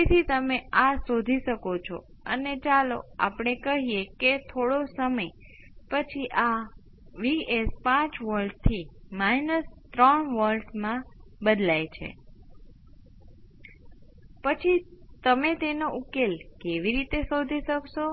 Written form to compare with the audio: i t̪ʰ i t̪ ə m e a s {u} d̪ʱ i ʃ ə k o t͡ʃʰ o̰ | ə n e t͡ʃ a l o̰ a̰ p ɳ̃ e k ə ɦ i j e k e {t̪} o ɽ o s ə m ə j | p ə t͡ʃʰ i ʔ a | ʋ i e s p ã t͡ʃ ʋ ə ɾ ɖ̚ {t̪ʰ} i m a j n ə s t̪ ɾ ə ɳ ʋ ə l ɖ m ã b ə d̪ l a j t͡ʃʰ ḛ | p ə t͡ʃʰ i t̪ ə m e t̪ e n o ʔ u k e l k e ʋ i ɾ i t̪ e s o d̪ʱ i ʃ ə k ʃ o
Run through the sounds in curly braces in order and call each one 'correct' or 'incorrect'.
incorrect: o, incorrect: t̪ʰ, correct

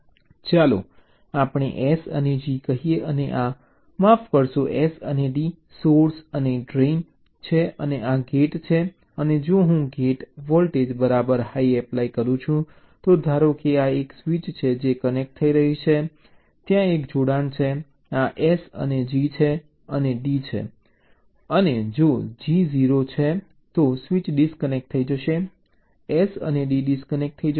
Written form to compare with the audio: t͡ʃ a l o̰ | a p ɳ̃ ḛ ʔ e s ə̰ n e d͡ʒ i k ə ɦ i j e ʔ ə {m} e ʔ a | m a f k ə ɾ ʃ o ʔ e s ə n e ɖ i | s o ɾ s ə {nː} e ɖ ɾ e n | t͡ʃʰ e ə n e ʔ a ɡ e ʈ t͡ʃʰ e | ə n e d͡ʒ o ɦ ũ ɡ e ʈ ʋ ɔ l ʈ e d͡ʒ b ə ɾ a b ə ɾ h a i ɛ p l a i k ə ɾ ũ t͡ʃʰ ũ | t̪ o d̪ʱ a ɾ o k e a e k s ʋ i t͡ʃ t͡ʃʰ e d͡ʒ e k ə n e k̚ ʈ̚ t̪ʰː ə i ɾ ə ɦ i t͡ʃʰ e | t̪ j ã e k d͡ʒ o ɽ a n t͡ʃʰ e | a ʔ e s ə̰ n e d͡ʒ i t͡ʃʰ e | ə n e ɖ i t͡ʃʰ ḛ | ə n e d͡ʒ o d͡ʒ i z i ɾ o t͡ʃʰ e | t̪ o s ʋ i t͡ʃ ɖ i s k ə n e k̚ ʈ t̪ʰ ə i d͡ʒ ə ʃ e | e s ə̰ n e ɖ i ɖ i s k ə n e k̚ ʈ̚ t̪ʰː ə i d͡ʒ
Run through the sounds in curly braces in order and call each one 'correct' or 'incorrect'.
incorrect: n, incorrect: n

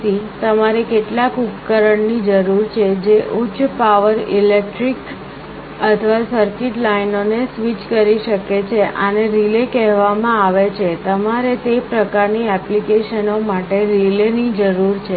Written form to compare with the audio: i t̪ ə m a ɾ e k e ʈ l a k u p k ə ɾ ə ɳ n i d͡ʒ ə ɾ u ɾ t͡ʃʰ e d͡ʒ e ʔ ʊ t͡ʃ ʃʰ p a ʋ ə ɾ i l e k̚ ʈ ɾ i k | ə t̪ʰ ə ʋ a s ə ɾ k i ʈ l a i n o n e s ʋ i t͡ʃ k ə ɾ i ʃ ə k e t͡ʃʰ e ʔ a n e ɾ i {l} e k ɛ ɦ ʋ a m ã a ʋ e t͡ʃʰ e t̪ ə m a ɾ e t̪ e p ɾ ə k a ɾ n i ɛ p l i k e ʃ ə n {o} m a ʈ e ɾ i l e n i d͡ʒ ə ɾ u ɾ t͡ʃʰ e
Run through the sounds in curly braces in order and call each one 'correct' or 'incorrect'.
correct, correct

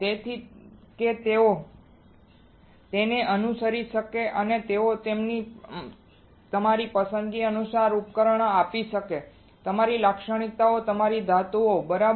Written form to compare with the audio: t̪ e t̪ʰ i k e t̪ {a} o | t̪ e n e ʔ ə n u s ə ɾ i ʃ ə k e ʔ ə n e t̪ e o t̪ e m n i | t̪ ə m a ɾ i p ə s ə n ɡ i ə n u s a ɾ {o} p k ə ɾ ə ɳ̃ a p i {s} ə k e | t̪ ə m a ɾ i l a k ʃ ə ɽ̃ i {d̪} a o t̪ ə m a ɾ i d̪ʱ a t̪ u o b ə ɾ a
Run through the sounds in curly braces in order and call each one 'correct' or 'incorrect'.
incorrect: e, incorrect: u, incorrect: ʃ, incorrect: t̪

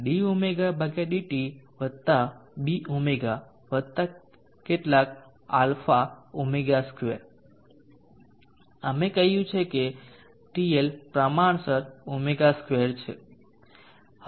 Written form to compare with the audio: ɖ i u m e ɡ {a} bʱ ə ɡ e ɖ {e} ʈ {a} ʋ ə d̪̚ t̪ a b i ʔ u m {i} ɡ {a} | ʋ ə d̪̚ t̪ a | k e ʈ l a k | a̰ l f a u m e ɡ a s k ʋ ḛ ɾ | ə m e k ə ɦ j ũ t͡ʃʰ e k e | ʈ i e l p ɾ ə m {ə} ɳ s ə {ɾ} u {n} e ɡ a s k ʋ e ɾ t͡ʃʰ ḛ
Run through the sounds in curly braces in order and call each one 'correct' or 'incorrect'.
correct, incorrect: i, incorrect: i, incorrect: e, correct, incorrect: a, correct, incorrect: m

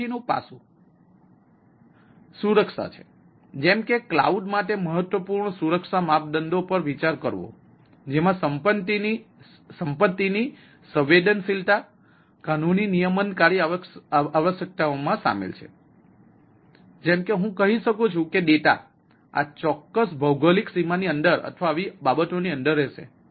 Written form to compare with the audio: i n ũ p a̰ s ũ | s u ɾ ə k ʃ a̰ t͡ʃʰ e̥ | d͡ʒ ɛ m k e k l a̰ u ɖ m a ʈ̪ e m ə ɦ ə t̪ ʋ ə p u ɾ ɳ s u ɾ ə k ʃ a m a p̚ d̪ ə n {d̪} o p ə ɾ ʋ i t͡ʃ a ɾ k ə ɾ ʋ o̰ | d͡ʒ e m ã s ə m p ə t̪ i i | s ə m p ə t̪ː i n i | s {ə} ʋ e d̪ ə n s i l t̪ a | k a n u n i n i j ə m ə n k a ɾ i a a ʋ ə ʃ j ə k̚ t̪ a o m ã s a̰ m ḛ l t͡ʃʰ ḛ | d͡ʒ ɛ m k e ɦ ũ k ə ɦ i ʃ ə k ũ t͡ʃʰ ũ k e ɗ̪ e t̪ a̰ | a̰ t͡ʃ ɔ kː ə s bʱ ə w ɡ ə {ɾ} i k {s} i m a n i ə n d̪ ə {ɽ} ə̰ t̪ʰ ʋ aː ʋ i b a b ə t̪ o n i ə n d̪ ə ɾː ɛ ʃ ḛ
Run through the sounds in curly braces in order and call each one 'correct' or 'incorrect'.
correct, correct, incorrect: l, correct, incorrect: ɾ

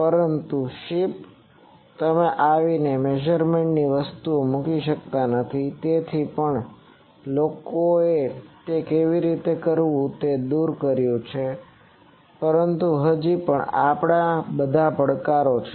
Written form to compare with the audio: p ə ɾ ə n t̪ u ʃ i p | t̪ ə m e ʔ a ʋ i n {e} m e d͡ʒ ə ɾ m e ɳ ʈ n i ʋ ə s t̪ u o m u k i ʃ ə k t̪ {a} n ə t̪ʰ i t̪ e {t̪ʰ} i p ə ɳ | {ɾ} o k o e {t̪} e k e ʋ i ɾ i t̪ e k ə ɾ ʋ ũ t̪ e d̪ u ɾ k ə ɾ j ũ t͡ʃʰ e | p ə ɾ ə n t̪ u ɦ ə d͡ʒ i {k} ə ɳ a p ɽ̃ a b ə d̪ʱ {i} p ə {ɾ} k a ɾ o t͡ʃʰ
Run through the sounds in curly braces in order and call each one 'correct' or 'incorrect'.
correct, correct, correct, incorrect: l, correct, incorrect: p, incorrect: a, incorrect: ɽ

